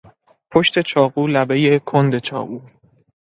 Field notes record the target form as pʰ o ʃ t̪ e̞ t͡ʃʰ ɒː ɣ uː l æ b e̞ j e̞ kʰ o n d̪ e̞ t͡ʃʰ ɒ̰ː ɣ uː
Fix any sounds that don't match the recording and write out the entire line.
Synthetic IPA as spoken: pʰ o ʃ t̪ e̞ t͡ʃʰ ɒː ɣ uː l æ b e̞ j e̞ kʰ o n d̪ e̞ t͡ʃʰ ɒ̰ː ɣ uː